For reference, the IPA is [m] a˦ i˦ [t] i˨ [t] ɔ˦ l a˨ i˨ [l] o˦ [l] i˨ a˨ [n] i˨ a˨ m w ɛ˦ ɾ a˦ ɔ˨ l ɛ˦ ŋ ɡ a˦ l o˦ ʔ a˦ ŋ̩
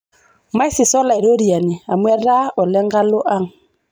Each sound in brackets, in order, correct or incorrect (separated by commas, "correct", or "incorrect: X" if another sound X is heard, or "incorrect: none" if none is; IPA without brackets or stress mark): correct, incorrect: s, incorrect: s, incorrect: ɾ, incorrect: ɾ, correct